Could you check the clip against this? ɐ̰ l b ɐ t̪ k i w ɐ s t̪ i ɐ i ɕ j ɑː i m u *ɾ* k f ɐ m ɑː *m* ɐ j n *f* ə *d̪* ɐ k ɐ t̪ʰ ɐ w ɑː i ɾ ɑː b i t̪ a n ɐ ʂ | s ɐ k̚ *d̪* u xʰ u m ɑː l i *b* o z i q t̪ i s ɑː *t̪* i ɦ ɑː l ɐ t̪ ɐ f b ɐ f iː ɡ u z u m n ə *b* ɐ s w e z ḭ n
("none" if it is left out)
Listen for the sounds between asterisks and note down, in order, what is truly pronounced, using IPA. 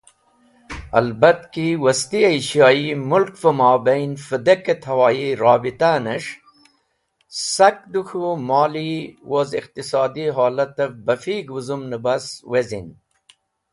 l, b, f, d̪, d̪, w, d̪, b

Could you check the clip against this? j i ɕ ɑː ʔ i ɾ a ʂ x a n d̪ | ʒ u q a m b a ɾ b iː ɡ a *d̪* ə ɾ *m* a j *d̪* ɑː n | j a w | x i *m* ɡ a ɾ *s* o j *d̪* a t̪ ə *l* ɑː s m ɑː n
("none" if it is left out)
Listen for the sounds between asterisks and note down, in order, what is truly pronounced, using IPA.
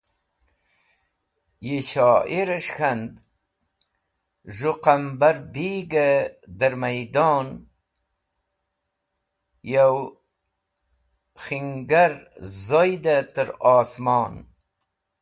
d̪, m, d̪, ŋ, z, d̪, ɾ

